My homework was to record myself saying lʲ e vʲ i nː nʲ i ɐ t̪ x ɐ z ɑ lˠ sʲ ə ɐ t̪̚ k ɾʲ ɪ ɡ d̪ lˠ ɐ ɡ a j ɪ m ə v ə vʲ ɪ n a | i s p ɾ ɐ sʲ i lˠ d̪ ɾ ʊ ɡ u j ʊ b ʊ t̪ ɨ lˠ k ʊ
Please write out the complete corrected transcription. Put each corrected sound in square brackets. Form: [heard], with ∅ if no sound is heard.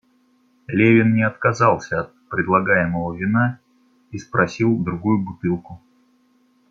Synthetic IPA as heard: lʲ e vʲ [ɪ] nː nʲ [ɪ] ɐ t̪ [k] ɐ z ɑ lˠ sʲ ə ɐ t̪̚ [p] ɾʲ ɪ [∅] d̪ lˠ ɐ ɡ a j ɪ m ə v ə vʲ ɪ n a | i s p ɾ ɐ sʲ i lˠ d̪ ɾ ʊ ɡ u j ʊ b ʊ t̪ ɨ lˠ k ʊ

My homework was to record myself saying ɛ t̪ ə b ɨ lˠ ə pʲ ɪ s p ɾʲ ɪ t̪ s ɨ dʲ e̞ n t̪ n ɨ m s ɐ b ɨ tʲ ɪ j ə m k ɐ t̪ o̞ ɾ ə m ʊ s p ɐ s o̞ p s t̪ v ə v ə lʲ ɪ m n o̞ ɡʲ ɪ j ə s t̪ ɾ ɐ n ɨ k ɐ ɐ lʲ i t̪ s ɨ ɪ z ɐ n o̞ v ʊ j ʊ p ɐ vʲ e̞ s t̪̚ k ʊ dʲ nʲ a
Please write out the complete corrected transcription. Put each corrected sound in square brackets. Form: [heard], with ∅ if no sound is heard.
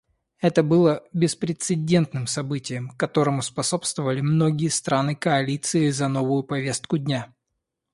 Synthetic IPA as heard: ɛ t̪ ə b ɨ lˠ ə [bʲ] ɪ s p ɾʲ ɪ t̪ s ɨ dʲ e̞ n t̪ n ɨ m s ɐ b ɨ tʲ ɪ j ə m k ɐ t̪ o̞ ɾ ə m ʊ s p ɐ s o̞ p s t̪ v ə v ə lʲ ɪ m n o̞ ɡʲ ɪ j ə s t̪ ɾ [a] n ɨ k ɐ ɐ lʲ i t̪ s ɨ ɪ z ɐ n o̞ v ʊ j ʊ p ɐ vʲ e̞ s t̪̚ k ʊ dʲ nʲ a

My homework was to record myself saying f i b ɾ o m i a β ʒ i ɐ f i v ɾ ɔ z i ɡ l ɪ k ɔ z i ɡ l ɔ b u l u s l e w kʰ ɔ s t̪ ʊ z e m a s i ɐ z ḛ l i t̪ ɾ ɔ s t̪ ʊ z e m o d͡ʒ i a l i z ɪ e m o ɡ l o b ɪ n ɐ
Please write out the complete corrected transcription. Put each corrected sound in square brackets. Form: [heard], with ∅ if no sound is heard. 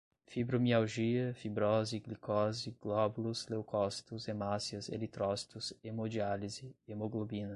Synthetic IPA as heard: f i b ɾ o m i a [w] ʒ i ɐ f i [b] ɾ ɔ z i ɡ l [i] k ɔ z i ɡ l ɔ b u l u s l e w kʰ ɔ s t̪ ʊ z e m a s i ɐ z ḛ l i t̪ ɾ ɔ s t̪ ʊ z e m o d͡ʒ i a l i z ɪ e m o ɡ l o b [i] n ɐ

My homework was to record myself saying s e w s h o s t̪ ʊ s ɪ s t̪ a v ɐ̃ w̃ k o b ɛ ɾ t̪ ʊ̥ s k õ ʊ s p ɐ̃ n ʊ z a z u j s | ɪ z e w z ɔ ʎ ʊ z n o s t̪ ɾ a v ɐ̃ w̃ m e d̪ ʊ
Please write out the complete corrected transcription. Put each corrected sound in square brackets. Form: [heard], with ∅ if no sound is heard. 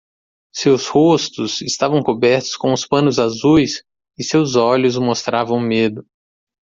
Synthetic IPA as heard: s e w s h o s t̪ ʊ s ɪ s t̪ a v ɐ̃ w̃ k o b ɛ ɾ t̪ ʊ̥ s k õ ʊ s p ɐ̃ n ʊ z a z u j s | ɪ [s] e w z ɔ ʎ ʊ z [m] o s t̪ ɾ a v ɐ̃ w̃ m e d̪ ʊ

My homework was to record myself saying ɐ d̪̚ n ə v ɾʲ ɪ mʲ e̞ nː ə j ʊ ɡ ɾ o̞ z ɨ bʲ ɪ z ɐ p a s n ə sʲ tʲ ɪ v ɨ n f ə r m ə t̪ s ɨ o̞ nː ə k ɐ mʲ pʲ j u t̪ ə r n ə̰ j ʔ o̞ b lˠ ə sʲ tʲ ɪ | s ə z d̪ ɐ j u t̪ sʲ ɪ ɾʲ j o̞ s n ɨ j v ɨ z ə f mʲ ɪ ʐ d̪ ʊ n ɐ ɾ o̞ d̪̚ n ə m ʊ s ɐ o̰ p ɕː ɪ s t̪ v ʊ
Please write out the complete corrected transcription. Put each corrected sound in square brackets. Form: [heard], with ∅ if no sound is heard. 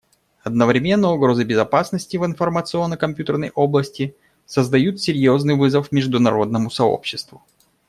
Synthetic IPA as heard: ɐ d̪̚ n ə v ɾʲ ɪ mʲ e̞ nː ə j ʊ ɡ ɾ o̞ z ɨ bʲ ɪ z ɐ p a s n ə sʲ tʲ ɪ v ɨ n f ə r m ə t̪ s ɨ o̞ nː ə k ɐ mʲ pʲ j u t̪ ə r n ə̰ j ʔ o̞ b lˠ ə sʲ tʲ ɪ | s ə z d̪ ɐ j u t̪ sʲ ɪ ɾʲ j o̞ [z] n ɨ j v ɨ z ə f mʲ ɪ ʐ d̪ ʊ n ɐ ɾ o̞ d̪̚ n ə m ʊ s ɐ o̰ p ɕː ɪ s t̪ v ʊ

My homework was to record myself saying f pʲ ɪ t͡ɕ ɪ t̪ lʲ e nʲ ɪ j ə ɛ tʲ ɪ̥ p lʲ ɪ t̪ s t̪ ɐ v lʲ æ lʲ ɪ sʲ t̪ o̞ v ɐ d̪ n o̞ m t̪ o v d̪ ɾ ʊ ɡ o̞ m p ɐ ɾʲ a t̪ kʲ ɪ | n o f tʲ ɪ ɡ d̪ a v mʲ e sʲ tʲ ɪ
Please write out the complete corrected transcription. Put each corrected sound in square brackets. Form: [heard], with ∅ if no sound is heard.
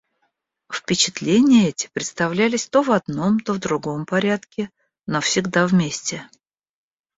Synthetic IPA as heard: f pʲ ɪ t͡ɕ ɪ t̪ lʲ e nʲ ɪ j ə ɛ tʲ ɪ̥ p [ɾʲ] ɪ t̪ s t̪ ɐ v lʲ æ lʲ ɪ sʲ t̪ o̞ v ɐ d̪ n o̞ m t̪ o v d̪ ɾ ʊ ɡ o̞ m p ɐ ɾʲ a t̪ kʲ ɪ | n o f [sʲ] ɪ ɡ d̪ a v mʲ e sʲ tʲ ɪ

